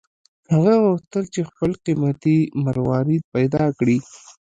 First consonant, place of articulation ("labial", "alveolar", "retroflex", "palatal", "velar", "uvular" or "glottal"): glottal